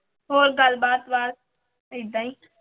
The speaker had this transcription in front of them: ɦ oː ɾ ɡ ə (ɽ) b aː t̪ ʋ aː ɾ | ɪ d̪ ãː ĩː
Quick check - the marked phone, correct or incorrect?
incorrect